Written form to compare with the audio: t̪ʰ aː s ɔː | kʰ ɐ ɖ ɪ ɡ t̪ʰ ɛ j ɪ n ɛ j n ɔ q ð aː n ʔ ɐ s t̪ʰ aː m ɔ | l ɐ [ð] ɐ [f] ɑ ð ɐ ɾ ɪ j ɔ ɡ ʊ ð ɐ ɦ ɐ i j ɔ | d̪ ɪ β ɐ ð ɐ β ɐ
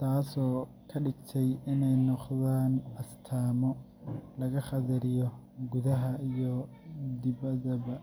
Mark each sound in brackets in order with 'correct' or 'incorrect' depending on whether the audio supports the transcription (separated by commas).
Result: incorrect, incorrect